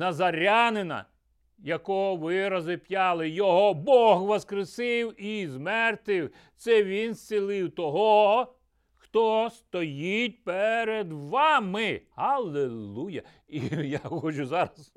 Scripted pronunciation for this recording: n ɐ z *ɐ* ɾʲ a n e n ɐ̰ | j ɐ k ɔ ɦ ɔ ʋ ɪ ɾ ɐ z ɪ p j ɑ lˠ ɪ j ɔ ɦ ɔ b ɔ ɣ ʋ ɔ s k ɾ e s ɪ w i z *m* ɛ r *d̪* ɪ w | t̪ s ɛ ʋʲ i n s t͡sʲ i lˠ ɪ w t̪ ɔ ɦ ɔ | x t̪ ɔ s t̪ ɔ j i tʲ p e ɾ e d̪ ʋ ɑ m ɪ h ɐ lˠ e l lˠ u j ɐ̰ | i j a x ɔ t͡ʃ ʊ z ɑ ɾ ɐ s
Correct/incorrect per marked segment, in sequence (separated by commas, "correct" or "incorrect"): correct, correct, incorrect